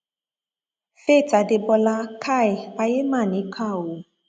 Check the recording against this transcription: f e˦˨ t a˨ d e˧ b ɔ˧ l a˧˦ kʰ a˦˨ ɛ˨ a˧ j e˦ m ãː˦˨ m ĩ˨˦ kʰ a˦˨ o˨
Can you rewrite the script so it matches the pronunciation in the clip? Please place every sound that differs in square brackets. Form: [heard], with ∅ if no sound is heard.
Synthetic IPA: f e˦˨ t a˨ d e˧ b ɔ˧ l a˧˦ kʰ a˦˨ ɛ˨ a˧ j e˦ m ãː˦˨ [n] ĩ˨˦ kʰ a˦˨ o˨